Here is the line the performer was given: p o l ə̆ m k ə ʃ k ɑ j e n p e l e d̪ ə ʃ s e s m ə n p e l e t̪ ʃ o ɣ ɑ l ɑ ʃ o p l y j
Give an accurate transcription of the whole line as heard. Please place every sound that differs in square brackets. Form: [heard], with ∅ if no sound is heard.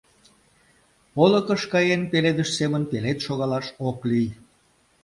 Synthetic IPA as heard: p o l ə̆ [∅] k ə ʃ k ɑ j e n p e l e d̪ ə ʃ s e [∅] m ə n p e l e t̪ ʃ o ɣ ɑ l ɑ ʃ o [k] l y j